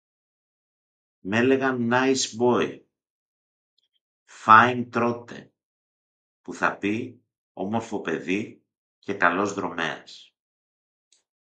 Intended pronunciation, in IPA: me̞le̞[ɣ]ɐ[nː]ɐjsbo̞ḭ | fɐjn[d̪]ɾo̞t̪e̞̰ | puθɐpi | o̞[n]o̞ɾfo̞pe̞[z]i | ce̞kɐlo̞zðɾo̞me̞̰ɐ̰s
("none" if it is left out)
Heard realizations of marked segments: ɣ, nː, t̪, m, ð

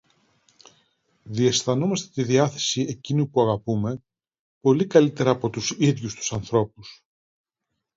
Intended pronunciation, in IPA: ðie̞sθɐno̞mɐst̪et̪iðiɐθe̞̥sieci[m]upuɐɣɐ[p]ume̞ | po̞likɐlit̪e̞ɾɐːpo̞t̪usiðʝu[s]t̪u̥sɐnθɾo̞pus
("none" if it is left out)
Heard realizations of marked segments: n, p, s

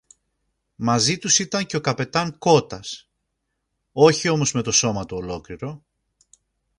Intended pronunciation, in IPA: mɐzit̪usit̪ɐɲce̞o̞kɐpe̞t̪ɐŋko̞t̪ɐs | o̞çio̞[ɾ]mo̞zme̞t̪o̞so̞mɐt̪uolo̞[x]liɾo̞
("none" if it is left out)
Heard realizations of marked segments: none, k

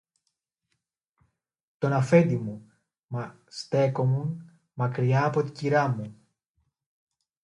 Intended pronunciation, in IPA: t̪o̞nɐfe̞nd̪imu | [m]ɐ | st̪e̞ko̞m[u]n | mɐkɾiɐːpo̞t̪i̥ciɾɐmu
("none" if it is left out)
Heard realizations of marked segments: m, u

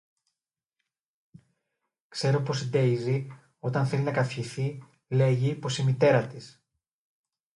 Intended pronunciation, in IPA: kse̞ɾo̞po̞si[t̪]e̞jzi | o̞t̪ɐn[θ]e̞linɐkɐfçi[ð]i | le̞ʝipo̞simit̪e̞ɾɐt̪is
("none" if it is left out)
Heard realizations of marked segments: d̪, θ, θ

